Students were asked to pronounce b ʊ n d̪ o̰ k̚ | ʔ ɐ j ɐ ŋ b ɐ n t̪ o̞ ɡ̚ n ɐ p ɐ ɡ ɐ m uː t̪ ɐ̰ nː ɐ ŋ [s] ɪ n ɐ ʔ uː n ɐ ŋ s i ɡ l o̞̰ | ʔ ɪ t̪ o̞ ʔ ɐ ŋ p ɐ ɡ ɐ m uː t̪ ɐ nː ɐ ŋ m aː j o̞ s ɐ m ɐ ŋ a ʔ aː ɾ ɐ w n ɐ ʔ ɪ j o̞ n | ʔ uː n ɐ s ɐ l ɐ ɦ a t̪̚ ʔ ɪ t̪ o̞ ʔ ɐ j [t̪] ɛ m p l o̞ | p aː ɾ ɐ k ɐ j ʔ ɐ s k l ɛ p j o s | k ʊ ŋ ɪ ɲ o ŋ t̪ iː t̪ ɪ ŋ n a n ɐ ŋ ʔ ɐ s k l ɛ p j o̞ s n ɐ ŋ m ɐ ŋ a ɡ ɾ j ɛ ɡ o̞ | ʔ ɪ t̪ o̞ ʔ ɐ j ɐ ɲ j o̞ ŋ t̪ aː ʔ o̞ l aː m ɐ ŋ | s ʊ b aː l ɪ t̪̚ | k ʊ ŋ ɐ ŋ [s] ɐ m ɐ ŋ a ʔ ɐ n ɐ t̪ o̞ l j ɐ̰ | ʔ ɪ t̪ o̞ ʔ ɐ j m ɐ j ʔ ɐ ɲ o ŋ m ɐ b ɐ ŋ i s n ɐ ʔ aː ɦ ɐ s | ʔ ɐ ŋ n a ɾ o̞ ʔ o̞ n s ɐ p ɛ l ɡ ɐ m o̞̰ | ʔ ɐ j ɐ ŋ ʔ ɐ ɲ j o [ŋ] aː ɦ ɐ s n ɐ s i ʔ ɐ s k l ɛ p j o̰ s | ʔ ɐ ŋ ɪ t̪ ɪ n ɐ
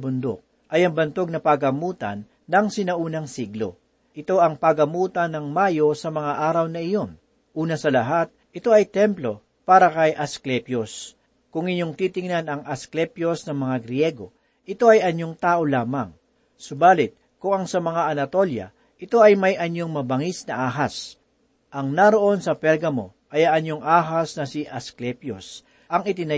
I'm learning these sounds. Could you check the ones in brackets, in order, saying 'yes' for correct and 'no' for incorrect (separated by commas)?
yes, yes, yes, yes